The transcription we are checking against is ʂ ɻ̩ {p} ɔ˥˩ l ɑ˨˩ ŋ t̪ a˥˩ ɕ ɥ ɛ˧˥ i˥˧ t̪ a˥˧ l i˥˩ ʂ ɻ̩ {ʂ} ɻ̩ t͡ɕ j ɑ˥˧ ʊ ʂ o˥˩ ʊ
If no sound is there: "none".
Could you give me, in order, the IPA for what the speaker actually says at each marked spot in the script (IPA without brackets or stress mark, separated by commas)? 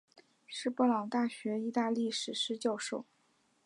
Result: p, ʂ